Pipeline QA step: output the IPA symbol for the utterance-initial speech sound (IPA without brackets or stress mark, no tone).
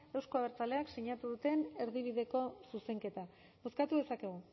e